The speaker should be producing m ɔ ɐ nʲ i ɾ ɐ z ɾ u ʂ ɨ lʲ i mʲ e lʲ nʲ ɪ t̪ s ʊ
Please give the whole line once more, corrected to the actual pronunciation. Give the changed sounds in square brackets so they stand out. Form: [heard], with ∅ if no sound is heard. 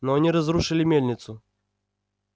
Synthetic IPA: [n] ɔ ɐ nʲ i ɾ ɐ z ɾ u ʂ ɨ lʲ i mʲ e lʲ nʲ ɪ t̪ s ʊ